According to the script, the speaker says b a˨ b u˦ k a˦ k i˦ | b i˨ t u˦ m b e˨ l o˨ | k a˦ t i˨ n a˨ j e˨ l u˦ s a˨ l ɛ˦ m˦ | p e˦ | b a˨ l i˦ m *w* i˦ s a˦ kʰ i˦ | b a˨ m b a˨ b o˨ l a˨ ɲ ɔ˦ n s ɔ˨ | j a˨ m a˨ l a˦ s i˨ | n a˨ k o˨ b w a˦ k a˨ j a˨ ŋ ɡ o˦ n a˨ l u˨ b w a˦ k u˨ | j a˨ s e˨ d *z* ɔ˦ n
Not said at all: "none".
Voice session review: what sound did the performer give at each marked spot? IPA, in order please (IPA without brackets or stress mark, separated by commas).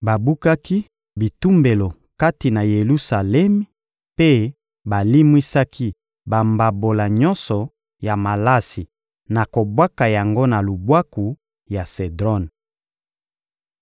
w, ʁ